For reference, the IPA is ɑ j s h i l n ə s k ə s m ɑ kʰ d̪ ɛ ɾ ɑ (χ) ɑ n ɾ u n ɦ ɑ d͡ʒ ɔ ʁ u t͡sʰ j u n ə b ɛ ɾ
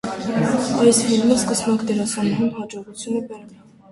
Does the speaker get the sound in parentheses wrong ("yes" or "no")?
yes